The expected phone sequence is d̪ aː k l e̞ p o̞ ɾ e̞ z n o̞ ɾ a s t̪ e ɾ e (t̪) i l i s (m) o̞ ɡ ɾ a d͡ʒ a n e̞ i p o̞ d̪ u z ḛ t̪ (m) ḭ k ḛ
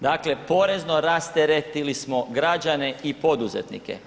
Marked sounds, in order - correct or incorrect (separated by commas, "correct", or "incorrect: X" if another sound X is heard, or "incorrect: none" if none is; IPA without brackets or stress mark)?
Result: correct, correct, incorrect: n